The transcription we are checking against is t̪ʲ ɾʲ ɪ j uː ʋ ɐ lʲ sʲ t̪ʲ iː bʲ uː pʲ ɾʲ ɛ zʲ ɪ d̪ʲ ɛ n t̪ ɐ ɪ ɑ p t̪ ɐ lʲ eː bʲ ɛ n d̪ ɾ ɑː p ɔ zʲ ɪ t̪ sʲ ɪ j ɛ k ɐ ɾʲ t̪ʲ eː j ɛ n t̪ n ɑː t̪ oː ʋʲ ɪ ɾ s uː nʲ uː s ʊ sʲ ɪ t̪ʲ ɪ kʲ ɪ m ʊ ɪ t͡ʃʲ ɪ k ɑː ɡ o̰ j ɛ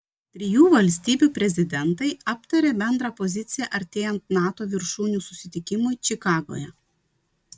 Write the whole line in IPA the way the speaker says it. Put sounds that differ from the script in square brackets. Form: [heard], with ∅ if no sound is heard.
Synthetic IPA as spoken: t̪ʲ ɾʲ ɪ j uː ʋ ɐ lʲ sʲ t̪ʲ iː bʲ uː pʲ ɾʲ ɛ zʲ ɪ d̪ʲ ɛ n t̪ ɐ ɪ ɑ p t̪ ɐ [ɾʲ] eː bʲ ɛ n d̪ ɾ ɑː p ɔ zʲ ɪ t̪ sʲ ɪ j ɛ [ʔ] ɐ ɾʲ t̪ʲ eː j ɛ n t̪ n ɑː t̪ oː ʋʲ ɪ ɾ [ʃ] uː nʲ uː s ʊ sʲ ɪ t̪ʲ ɪ kʲ ɪ m ʊ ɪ t͡ʃʲ ɪ k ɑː ɡ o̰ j ɛ